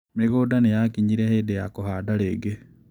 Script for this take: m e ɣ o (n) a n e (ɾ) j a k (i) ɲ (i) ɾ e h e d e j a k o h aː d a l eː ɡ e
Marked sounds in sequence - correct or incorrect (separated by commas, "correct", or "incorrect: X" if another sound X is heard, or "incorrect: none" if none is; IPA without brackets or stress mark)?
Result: incorrect: d, incorrect: none, correct, correct